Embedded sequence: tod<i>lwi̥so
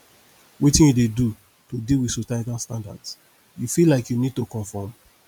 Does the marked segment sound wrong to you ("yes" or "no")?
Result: no